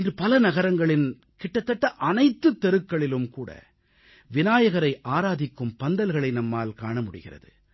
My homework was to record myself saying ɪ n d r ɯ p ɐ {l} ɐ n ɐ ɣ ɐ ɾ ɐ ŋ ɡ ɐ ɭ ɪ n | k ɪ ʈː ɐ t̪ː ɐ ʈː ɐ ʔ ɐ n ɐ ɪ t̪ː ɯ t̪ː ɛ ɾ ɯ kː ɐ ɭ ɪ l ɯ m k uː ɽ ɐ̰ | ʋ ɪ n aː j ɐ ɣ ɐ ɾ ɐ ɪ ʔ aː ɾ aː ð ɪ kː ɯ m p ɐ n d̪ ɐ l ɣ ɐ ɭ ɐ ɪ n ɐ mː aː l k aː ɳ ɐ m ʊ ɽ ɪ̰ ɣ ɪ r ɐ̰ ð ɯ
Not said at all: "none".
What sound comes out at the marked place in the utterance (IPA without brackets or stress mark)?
l